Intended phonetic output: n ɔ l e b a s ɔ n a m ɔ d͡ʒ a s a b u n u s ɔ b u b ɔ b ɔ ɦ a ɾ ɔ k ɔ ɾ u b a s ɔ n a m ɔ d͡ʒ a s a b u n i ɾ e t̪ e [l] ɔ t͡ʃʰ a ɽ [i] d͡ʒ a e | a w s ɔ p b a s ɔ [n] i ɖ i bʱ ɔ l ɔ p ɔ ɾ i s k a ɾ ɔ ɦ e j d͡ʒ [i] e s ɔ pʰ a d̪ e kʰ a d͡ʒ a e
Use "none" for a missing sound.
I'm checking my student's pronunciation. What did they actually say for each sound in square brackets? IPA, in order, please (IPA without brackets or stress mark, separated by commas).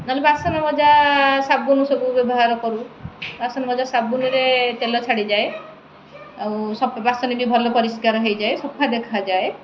l, i, n, a